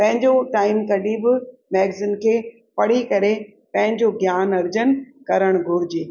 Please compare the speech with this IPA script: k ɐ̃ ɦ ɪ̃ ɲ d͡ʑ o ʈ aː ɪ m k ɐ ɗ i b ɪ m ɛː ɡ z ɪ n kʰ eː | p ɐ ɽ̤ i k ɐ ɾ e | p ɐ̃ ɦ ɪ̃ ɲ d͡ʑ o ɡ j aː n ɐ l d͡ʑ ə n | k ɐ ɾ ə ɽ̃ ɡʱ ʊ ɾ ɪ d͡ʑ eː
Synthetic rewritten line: p ɐ̃ ɦ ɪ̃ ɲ d͡ʑ o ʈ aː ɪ m k ɐ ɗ i b ɪ m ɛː ɡ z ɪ n kʰ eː | p ɐ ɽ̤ i k ɐ ɾ e | p ɐ̃ ɦ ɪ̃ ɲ d͡ʑ o ɡ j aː n ɐ ɾ d͡ʑ ə n | k ɐ ɾ ə ɽ̃ ɡʱ ʊ ɾ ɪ d͡ʑ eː